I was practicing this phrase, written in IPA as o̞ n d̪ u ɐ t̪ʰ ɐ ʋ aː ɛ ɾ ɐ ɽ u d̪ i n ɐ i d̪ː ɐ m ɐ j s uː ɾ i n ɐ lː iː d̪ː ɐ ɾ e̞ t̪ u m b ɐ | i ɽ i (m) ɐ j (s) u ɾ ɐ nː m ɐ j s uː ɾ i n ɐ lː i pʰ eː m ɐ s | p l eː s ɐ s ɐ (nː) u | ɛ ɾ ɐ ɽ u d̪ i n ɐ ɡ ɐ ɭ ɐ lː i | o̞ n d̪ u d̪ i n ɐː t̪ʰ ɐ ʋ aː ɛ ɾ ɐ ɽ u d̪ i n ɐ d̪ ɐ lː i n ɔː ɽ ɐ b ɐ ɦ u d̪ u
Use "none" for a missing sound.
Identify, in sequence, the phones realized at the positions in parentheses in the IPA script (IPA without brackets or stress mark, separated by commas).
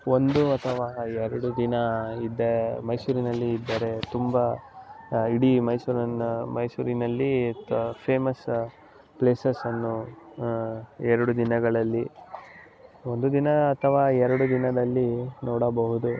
m, s, nː